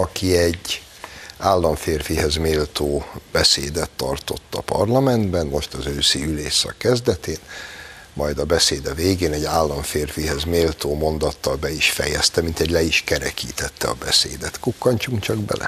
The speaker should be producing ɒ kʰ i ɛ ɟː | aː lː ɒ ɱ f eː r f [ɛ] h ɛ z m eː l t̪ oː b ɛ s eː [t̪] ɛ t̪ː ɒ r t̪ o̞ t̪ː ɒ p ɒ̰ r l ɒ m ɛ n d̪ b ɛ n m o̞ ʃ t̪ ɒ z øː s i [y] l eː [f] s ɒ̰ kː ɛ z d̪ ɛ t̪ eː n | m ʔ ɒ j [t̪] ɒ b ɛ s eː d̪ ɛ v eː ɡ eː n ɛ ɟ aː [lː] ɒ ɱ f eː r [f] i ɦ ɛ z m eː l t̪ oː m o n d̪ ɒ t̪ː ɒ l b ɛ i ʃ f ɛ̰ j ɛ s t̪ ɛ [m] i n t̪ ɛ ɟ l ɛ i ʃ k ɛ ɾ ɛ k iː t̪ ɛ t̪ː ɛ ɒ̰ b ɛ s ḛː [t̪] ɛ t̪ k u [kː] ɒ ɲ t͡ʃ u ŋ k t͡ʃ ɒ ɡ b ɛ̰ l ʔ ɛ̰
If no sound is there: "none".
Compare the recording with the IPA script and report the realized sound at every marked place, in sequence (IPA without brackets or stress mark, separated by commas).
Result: i, d̪, y, ʃ, d̪, lː, f, m, d̪, kː